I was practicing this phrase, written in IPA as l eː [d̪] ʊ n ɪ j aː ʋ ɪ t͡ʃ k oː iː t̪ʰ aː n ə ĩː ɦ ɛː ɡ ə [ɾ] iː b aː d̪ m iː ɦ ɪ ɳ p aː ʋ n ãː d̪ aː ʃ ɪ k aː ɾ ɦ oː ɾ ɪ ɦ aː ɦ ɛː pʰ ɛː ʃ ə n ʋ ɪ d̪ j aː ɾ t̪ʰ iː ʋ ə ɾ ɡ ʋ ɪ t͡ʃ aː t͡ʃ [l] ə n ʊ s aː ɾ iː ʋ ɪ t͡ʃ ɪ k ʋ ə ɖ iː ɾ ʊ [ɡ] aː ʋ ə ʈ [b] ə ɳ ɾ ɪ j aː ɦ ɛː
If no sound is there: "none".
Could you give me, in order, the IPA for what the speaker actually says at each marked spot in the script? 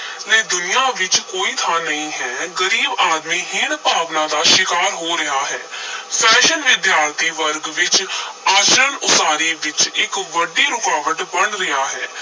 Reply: d̪, ɾ, ɾ, k, b

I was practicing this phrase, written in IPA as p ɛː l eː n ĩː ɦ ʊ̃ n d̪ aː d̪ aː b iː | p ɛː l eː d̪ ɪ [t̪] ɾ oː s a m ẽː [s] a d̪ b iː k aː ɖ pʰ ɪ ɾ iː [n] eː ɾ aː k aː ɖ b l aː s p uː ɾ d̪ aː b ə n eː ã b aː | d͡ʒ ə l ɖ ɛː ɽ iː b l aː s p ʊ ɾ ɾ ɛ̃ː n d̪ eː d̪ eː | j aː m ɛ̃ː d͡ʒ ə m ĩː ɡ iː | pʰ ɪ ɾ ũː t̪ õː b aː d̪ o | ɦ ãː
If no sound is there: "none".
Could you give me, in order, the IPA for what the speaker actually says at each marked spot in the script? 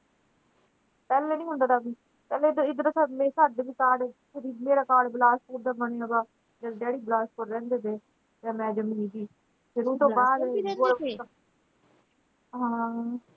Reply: d̪, s, m

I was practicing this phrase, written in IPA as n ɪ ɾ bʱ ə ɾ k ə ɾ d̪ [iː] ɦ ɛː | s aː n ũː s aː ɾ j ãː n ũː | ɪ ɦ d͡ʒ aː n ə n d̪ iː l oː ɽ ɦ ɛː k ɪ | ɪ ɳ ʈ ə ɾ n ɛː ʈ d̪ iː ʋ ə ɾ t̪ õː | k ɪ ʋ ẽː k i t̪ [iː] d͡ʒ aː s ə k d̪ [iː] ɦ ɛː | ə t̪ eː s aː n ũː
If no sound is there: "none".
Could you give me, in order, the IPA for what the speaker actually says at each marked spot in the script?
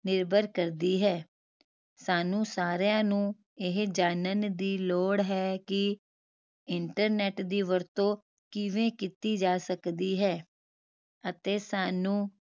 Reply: iː, iː, iː

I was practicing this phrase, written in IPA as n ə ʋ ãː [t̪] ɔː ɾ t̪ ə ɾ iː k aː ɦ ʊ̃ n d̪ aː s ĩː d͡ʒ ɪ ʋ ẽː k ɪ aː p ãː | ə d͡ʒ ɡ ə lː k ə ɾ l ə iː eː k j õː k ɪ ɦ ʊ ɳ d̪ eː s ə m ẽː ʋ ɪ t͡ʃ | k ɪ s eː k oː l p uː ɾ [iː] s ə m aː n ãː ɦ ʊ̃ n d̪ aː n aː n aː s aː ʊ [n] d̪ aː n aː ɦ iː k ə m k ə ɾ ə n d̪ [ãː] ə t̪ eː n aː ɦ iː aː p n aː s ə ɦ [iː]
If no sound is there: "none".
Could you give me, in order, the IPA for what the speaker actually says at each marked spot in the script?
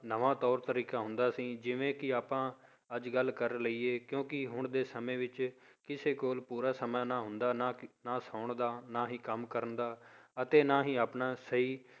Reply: t̪, aː, ɳ, aː, iː

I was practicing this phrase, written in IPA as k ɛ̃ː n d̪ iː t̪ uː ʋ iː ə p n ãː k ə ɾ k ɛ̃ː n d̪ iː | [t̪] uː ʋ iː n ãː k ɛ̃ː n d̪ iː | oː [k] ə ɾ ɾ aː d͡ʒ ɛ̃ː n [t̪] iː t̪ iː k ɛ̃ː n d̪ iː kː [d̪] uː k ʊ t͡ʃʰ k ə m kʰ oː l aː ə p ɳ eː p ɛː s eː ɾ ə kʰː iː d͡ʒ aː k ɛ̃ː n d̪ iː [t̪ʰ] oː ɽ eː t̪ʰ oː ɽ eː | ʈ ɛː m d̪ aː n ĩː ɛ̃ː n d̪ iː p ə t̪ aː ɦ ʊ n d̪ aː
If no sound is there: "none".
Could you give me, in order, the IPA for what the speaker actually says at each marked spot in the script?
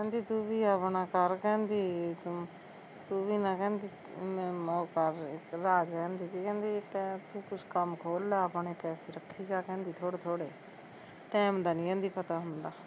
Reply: t̪, k, d̪, t̪, t̪ʰ

